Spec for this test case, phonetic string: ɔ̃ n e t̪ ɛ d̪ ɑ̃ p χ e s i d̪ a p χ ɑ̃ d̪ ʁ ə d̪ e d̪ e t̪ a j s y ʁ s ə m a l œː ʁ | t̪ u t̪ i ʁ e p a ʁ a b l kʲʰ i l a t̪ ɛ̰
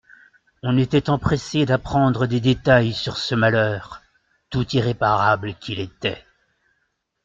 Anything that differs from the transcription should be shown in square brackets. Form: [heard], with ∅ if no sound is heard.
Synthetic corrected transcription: ɔ̃ n e t̪ ɛ [t̪] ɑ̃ p χ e s [e] d̪ a p χ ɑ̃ d̪ ʁ ə d̪ e d̪ e t̪ a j s y ʁ s ə m a l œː ʁ | t̪ u t̪ i ʁ e p a ʁ a b l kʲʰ i l [e] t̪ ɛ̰